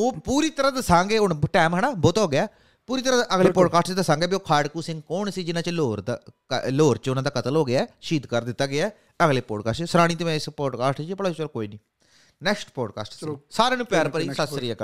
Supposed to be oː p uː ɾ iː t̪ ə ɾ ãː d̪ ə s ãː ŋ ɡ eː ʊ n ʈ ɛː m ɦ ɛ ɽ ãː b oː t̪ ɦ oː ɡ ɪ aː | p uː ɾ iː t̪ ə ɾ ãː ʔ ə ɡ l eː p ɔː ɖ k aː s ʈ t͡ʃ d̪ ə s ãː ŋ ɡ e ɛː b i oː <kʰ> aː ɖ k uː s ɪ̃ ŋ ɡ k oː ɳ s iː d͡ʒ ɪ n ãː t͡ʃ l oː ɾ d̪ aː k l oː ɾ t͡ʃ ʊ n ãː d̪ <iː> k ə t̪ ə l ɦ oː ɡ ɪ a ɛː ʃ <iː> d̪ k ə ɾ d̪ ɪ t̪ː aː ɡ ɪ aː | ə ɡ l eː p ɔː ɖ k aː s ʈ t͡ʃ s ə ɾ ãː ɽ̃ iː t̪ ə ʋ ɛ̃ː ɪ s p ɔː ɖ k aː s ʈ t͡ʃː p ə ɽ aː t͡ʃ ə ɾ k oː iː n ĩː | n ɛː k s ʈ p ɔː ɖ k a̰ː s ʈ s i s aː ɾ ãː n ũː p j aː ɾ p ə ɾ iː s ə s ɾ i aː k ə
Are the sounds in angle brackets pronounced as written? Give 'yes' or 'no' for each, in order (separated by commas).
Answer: yes, no, yes